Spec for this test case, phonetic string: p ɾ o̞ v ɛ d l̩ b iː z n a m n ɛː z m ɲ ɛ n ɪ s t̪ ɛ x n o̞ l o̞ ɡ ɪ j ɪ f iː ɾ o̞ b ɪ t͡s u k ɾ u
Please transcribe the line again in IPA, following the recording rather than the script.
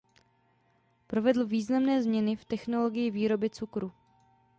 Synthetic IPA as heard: p ɾ o̞ v ɛ d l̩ v iː z n a m n ɛː z m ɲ ɛ n ɪ f t̪ ɛ x n o̞ l o̞ ɡ ɪ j ɪ v iː ɾ o̞ b ɪ t͡s u k ɾ u

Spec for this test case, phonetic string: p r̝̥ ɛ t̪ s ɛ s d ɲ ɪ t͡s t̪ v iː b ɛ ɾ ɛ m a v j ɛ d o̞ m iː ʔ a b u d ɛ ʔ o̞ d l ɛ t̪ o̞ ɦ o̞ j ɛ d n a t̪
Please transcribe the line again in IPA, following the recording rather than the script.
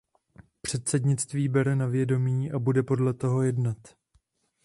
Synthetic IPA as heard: p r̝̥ ɛ t̪ s ɛ d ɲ ɪ t͡s t̪ v iː b ɛ ɾ ɛ n a v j ɛ d o̞ m iː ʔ a b u d ɛ p o̞ d l ɛ t̪ o̞ ɦ o̞ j ɛ d n a t̪

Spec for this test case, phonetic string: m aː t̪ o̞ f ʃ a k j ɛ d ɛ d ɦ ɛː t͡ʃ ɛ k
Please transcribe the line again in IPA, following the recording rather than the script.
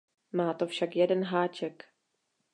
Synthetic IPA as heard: m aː t̪ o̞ f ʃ a k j ɛ d ɛ n ɦ aː t͡ʃ ɛ k

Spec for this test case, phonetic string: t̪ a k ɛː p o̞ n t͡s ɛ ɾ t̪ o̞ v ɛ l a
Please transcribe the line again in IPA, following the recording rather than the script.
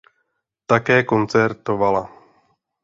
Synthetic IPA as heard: t̪ a k ɛː k o̞ n t͡s ɛ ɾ t̪ o̞ v a l a

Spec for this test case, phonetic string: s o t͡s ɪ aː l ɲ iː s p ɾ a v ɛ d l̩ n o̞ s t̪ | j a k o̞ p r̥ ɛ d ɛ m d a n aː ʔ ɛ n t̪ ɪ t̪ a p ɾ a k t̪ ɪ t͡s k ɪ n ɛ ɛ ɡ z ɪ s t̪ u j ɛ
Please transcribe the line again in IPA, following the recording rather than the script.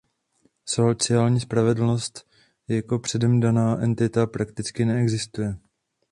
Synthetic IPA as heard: s o t͡s ɪ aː l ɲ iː s p ɾ a v ɛ d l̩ n o̞ s t̪ | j a k o̞ p r̥ ɛ d ɛ m d a n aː ʔ ɛ n t̪ ɪ t̪ a p ɾ a k t̪ ɪ t͡s k ɪ n ɛ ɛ ɡ z ɪ s t̪ u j ɛ

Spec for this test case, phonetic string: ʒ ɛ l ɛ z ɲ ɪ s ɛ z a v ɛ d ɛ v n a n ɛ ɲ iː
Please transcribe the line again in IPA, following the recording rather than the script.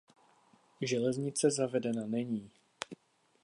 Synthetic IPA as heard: ʒ ɛ l ɛ z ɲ ɪ t͡s ɛ z a v ɛ d ɛ n a n ɛ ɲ iː

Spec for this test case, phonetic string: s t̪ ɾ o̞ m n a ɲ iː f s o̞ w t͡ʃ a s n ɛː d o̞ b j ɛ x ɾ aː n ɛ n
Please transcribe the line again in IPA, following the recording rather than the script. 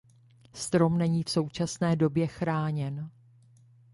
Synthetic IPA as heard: s t̪ ɾ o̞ m n ɛ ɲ iː f s o̞ w t͡ʃ a s n ɛː d o̞ b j ɛ x ɾ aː ɲ ɛ n

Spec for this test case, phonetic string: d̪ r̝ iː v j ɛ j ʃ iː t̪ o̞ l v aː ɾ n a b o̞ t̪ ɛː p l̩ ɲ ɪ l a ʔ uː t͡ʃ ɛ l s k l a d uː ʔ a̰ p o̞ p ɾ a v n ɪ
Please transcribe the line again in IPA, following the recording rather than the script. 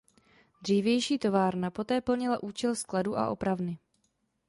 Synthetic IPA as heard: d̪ r̝ iː v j ɛ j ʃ iː t̪ o̞ v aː ɾ n a p o̞ t̪ ɛː p l̩ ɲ ɪ l a ʔ uː t͡ʃ ɛ l s k l a d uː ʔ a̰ ʔ o̞ p ɾ a v n ɪ

